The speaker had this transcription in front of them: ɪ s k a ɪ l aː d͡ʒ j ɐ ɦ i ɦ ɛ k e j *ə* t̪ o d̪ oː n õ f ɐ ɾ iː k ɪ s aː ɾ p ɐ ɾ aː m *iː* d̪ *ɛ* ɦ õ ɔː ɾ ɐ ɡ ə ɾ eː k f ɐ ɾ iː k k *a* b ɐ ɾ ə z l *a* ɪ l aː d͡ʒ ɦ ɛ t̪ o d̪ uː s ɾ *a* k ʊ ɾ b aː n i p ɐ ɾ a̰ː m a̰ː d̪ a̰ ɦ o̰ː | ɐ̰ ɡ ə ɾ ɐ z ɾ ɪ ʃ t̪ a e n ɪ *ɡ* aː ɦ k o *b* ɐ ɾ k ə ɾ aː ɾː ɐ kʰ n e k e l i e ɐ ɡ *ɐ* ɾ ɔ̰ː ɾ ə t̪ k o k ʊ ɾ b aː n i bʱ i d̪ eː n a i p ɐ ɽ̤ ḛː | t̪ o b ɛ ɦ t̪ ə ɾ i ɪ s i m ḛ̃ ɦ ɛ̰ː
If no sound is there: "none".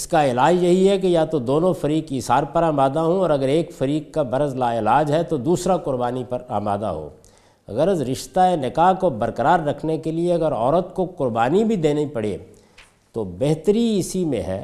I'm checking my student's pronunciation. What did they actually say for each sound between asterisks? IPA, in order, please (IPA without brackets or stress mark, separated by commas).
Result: a, aː, a, a, a, a, k, b, ə